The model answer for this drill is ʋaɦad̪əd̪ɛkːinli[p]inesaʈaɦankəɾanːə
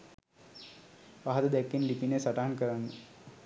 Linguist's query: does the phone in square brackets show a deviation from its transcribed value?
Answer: no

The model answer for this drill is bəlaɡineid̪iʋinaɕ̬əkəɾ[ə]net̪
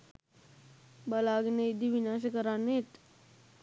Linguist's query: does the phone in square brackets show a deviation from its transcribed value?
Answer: yes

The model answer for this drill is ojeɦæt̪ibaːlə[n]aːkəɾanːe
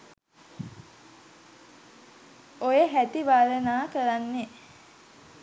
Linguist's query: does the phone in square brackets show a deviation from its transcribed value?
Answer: no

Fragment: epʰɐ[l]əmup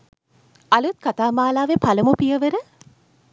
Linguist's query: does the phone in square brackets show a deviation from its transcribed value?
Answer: no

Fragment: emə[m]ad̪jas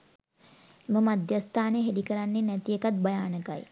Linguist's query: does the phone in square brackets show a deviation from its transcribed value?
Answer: no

